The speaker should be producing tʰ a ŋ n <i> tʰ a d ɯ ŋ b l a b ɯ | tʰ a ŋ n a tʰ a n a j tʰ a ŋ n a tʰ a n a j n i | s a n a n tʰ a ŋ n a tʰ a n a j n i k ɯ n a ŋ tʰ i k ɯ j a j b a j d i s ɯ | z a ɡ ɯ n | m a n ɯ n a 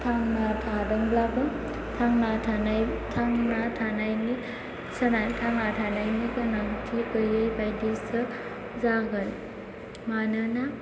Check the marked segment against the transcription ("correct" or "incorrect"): incorrect